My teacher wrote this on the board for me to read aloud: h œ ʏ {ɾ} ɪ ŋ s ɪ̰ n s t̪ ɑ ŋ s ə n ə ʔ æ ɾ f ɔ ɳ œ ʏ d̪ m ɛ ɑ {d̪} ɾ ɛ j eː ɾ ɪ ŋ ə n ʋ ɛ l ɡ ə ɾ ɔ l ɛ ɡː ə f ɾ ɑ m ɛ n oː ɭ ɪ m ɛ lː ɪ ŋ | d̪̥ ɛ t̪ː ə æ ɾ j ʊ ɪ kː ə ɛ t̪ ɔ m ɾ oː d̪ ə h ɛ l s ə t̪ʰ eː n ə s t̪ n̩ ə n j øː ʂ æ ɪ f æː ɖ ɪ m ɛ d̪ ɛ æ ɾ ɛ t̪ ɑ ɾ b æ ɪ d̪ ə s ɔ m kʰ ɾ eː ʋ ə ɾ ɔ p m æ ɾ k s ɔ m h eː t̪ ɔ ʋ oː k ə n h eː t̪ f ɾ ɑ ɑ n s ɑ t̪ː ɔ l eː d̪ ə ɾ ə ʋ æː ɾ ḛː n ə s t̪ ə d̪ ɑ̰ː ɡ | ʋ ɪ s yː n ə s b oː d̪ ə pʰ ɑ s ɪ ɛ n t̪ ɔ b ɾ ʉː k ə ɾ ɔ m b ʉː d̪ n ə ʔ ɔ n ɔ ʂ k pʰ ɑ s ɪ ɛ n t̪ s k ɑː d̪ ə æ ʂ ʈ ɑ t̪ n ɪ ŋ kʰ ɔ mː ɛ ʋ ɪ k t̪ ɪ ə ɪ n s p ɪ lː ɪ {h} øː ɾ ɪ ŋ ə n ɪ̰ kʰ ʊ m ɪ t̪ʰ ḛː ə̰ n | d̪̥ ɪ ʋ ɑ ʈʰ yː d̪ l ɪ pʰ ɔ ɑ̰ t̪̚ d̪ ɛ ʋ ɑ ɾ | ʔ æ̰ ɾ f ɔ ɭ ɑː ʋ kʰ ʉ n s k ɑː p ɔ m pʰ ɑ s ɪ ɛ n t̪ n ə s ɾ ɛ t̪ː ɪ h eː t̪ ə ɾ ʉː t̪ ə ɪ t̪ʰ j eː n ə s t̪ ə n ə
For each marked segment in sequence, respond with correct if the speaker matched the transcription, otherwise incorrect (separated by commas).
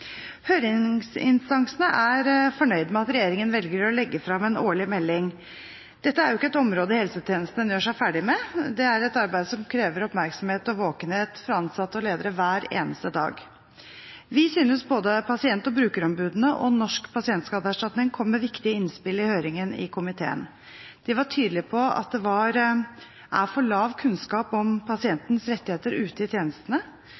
correct, incorrect, correct